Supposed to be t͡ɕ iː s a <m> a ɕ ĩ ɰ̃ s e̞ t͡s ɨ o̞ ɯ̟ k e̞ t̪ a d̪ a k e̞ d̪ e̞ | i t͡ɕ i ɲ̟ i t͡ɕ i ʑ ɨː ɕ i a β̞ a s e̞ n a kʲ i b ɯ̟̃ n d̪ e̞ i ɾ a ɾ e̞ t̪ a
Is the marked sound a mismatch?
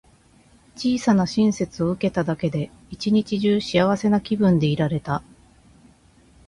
yes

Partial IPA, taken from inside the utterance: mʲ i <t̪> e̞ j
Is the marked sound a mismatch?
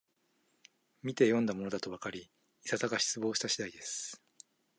no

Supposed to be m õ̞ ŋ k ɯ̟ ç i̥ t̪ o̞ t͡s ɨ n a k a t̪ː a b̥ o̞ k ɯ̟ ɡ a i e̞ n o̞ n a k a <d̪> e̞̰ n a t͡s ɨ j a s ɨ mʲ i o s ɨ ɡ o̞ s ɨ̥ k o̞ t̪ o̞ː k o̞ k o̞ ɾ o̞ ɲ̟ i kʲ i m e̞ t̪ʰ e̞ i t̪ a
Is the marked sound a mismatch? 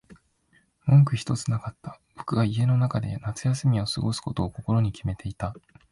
no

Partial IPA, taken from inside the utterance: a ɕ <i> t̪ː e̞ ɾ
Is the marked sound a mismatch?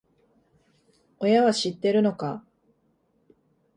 no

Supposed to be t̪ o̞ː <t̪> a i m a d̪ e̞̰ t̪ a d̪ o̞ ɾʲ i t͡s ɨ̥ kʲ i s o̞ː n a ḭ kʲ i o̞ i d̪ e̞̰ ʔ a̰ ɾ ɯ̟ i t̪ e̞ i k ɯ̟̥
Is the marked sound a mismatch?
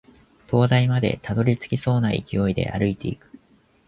yes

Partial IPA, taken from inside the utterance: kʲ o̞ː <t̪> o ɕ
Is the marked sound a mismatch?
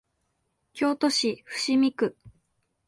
no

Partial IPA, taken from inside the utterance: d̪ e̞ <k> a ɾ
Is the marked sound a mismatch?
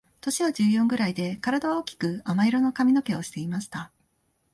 no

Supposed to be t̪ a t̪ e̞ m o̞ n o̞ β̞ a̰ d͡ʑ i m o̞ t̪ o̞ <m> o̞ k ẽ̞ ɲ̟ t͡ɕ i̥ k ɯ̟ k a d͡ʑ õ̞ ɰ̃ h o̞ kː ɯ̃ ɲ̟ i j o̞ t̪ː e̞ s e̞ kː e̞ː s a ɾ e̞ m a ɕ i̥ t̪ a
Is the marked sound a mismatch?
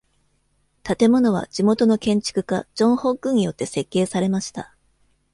yes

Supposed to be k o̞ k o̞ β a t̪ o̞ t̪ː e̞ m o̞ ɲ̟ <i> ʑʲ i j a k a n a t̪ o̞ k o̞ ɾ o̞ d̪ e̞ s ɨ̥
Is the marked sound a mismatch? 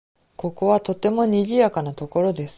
no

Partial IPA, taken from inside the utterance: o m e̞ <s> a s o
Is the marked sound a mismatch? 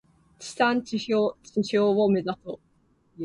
yes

